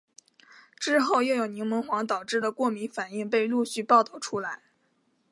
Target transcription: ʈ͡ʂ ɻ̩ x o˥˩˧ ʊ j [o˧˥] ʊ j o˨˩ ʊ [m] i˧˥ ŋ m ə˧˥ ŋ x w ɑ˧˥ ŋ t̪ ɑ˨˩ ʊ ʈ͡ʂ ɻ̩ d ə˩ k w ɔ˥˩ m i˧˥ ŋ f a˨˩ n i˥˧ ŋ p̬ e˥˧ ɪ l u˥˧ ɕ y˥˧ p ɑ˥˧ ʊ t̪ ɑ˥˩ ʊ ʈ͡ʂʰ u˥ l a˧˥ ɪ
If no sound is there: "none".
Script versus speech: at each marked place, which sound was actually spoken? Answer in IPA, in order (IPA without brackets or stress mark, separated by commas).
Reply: o˥˩, n